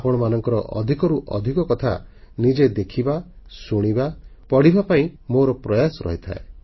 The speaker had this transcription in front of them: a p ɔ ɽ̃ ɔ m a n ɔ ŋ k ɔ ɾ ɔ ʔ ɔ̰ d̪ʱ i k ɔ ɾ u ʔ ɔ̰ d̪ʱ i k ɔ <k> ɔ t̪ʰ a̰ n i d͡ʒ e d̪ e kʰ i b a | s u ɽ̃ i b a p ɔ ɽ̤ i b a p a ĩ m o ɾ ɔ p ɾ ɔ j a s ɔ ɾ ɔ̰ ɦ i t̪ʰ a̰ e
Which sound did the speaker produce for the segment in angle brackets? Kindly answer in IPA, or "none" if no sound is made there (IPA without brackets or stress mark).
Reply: k